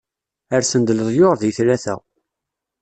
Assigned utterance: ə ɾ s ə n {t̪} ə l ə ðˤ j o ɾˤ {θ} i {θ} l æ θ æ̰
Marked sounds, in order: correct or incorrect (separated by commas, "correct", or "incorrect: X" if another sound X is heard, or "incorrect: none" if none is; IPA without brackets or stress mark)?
incorrect: d̪, incorrect: ð, correct